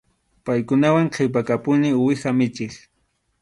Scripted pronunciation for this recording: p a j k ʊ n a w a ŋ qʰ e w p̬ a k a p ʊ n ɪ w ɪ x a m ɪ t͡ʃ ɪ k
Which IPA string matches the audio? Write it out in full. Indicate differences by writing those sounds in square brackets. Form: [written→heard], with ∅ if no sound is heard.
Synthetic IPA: p a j k ʊ n a w a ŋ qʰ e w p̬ a k a p ʊ n ɪ w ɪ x a m ɪ t͡ʃ ɪ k